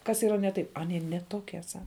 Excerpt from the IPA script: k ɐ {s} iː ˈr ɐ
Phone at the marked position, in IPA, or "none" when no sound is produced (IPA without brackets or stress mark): s